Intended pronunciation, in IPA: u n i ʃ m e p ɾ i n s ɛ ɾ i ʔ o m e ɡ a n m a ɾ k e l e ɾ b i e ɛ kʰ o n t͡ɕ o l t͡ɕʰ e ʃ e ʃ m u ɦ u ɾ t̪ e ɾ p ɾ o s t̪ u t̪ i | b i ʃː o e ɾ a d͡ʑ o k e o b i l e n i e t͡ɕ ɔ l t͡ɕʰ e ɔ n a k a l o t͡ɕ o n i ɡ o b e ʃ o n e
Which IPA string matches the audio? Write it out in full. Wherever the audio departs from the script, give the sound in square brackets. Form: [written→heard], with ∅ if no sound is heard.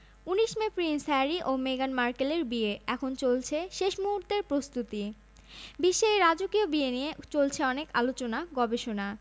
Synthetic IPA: u n i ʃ m e p ɾ i n s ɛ ɾ i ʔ o m e ɡ a n m a ɾ k e l e ɾ b i e ɛ kʰ o n t͡ɕ o l t͡ɕʰ e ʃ e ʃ m u ɦ u ɾ t̪ e ɾ p ɾ o s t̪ u t̪ i | b i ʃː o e ɾ a d͡ʑ o k [e→i] o b i [l→∅] e n i e t͡ɕ [ɔ→o] l t͡ɕʰ e ɔ n [a→e] k a l o t͡ɕ o n [i→a] ɡ [o→ɔ] b e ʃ o n [e→a]